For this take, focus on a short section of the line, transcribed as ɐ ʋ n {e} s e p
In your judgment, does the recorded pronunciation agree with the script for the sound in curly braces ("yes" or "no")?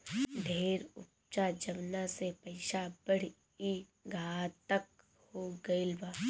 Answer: no